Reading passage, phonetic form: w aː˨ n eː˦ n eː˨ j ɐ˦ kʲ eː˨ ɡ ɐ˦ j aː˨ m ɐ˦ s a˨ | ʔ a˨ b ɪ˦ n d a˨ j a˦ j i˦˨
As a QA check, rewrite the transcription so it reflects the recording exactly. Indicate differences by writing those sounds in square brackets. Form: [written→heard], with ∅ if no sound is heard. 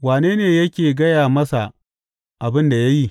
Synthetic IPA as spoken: w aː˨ n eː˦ n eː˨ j ɐ˦ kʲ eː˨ ɡ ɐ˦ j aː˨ m ɐ˦ s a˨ | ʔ a˨ b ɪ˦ n d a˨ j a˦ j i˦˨